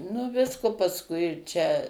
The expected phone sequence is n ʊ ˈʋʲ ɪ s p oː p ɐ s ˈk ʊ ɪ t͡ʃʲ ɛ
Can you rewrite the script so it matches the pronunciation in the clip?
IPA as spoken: n ʊ ˈʋʲ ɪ s k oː p ɐ s ˈk ʊ ɪ t͡ʃʲ ɛ